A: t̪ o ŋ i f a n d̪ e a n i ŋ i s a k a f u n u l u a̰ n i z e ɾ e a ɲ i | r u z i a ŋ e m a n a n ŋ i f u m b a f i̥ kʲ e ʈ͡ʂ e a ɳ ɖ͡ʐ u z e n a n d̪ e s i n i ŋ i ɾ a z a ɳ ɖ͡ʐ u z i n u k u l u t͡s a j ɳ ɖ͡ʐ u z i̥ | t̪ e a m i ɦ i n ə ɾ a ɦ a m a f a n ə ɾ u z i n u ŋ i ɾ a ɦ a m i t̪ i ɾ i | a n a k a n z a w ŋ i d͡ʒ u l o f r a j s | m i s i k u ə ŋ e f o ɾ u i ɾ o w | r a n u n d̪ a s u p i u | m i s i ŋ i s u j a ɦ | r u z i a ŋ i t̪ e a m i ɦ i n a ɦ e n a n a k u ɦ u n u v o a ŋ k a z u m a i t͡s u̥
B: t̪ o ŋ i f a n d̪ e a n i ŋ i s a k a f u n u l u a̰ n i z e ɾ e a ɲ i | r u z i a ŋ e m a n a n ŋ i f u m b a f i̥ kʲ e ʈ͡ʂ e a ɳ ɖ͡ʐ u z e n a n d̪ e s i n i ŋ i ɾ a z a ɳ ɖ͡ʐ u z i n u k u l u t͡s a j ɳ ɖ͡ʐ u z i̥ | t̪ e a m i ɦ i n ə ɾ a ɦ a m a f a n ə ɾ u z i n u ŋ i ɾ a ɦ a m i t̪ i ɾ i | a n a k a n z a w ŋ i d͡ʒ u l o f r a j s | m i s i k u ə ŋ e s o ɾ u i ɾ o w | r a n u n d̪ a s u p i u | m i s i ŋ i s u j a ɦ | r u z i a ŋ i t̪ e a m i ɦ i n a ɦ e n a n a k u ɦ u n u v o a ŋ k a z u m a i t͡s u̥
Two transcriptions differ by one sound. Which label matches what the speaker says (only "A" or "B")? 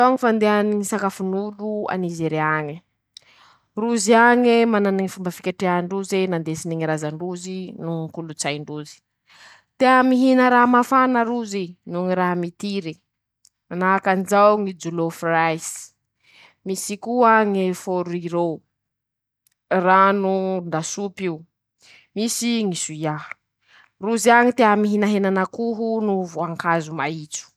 A